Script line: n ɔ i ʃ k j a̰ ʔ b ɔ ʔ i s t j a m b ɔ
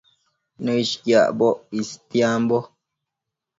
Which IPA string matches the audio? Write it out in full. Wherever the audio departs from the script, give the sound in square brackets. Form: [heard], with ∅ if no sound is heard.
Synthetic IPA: n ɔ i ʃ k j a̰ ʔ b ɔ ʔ i s t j a m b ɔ